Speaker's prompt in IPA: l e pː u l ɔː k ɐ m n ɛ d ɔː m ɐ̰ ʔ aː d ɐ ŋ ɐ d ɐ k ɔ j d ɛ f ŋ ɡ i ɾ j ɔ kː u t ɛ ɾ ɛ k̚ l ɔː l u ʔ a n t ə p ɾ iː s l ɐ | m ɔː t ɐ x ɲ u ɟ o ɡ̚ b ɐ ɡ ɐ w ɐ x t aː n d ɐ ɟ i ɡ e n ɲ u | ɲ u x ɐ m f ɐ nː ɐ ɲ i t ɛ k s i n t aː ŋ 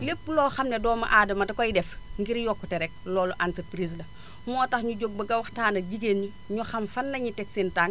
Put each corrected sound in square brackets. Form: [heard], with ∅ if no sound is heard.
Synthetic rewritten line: l e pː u l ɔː [x] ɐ m n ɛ d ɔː m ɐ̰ ʔ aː d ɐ [m] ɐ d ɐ k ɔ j d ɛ f ŋ ɡ i ɾ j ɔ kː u t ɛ ɾ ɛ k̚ l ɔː l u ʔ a n t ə p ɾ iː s l ɐ | m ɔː t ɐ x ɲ u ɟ o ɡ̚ b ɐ ɡ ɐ w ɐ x t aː n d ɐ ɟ i ɡ e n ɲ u | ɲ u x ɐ m f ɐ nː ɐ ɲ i t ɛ k s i n t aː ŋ